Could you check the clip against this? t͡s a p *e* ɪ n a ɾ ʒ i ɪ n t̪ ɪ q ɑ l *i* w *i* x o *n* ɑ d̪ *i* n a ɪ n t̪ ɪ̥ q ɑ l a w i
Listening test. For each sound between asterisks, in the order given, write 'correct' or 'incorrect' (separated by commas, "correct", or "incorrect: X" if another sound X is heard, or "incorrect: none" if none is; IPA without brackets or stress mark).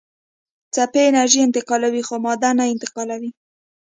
correct, incorrect: a, correct, incorrect: m, incorrect: a